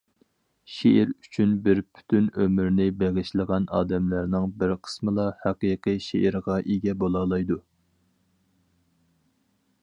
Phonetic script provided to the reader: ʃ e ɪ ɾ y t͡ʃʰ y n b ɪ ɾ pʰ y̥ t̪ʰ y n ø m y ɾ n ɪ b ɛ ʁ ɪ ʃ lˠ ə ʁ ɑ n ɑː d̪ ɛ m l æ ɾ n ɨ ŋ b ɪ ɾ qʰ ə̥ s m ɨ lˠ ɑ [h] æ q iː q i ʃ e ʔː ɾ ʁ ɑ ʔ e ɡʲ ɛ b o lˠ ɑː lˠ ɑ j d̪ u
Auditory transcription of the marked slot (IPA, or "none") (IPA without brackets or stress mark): h